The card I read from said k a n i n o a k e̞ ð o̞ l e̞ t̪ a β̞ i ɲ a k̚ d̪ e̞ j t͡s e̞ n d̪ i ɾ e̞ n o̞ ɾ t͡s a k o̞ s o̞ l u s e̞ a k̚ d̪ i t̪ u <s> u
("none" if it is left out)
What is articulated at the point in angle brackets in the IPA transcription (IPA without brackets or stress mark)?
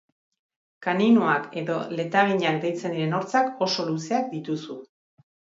s